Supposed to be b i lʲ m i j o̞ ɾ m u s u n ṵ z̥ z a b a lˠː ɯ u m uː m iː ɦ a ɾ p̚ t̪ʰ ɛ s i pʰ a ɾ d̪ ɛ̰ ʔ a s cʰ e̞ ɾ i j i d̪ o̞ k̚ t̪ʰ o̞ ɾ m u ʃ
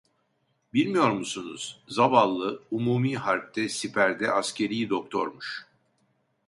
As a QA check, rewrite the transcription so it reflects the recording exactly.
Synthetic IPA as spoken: b i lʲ m i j o̞ ɾ m u s u n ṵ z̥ z a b a lˠː ɯ u m uː m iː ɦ a ɾ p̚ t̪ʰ ɛ s i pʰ æ ɾ d̪ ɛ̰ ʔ a s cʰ e̞ ɾ i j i d̪ o̞ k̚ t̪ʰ o̞ ɾ m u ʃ

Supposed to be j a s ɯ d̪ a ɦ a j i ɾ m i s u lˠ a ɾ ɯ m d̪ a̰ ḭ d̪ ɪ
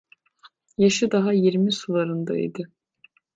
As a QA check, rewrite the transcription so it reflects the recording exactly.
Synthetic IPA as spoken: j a ʃ ɯ d̪ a ɦ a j i ɾ m i s u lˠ a ɾ ɯ n d̪ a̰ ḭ d̪ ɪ

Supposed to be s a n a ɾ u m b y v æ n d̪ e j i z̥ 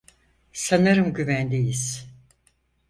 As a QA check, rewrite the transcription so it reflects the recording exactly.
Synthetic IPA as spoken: s a n a ɾ ɯ m ɟ y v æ n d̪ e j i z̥

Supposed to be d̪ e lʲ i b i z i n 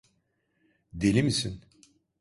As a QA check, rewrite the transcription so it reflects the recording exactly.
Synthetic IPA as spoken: d̪ e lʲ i m i s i n

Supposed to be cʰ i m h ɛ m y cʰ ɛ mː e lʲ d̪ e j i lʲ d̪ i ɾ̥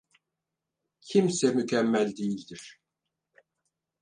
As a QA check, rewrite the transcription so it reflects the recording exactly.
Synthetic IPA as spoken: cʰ i m s ɛ m y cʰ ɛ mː æ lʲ d̪ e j i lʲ d̪ i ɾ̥

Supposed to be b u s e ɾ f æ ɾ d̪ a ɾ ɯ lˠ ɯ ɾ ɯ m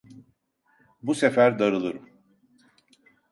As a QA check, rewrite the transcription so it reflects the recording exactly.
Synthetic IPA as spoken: b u s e f æ ɾ d̪ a ɾ ɯ lˠ ɯ ɾ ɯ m

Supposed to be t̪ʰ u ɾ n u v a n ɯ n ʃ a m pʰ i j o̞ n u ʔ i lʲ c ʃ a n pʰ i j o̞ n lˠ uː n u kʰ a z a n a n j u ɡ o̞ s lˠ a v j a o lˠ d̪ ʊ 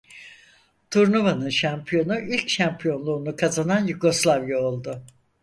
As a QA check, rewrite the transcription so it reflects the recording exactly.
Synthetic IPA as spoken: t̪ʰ u ɾ n u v a n ɯ n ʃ a m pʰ i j o̞ n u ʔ i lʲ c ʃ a m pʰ i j o̞ n lˠ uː n u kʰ a z a n a n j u ɡ o̞ s lˠ a v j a o lˠ d̪ ʊ

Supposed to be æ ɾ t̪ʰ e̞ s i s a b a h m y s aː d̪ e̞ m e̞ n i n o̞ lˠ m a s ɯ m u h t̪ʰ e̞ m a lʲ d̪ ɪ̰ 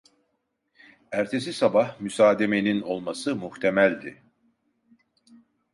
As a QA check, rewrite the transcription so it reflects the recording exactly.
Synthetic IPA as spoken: æ ɾ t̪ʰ e̞ s i s a b a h m y s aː d̪ e̞ m e̞ n i n o̞ lˠ m a s ɯ m u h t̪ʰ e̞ m æ lʲ d̪ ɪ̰

